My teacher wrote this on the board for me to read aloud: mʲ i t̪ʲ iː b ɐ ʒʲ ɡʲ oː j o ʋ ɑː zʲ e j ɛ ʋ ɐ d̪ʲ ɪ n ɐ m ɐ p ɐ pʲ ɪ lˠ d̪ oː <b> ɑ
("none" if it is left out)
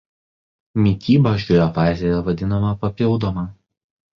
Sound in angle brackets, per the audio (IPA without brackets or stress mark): m